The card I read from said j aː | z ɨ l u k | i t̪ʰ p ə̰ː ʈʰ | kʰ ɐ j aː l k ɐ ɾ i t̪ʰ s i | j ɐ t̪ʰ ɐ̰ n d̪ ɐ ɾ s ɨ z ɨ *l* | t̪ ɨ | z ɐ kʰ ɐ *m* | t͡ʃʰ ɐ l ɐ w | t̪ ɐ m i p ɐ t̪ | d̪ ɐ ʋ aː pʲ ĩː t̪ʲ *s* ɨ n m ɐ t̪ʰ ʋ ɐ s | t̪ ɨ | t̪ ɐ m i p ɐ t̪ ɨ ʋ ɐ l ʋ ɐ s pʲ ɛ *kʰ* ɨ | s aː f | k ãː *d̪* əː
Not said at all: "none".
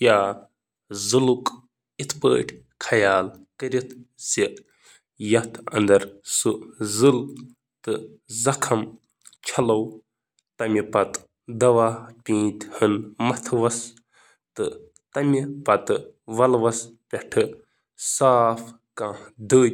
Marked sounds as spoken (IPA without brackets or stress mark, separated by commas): l, m, h, ʈʰ, d̪